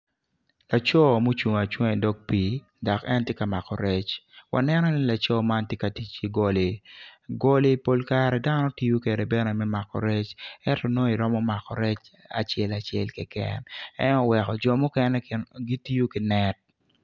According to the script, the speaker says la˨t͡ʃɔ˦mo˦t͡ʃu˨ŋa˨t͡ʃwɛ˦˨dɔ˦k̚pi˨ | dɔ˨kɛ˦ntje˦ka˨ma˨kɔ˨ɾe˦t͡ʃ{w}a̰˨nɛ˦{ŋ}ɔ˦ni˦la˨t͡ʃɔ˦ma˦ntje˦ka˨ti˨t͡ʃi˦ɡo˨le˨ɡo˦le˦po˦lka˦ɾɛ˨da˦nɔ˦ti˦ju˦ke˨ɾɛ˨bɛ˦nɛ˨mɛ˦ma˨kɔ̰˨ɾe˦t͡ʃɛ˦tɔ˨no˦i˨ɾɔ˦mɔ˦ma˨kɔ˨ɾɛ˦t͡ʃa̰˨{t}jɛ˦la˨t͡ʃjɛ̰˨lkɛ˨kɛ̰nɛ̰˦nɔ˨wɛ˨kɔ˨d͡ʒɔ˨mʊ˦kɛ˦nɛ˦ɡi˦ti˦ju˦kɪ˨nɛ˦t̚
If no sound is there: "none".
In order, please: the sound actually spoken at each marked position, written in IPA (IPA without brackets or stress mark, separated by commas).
w, n, t͡ʃ